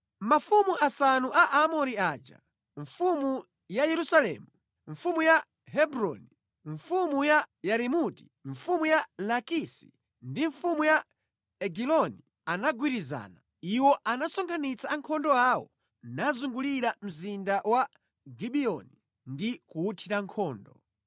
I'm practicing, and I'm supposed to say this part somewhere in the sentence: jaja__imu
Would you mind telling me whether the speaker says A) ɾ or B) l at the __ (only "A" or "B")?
A